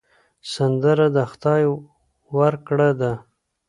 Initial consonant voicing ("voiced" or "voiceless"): voiceless